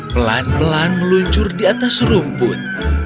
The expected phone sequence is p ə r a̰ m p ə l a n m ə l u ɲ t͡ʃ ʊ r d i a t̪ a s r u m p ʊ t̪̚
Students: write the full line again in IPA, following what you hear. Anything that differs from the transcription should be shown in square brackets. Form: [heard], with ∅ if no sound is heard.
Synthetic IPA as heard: p ə [l] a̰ [n] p ə l a n m ə l u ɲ t͡ʃ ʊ r d i a t̪ a s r u m p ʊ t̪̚